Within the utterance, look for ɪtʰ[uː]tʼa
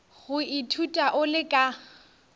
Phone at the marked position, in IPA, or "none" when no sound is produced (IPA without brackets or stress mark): u